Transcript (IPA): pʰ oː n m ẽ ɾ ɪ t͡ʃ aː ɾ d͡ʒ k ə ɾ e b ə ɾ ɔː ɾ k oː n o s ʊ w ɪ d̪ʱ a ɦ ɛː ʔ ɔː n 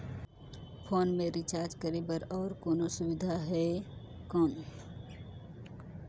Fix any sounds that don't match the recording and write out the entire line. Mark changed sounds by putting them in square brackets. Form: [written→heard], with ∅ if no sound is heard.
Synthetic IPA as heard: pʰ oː n m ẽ ɾ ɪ t͡ʃ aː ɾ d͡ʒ k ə ɾ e b ə ɾ ɔː ɾ k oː n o s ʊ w ɪ d̪ʱ a ɦ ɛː [ʔ→k] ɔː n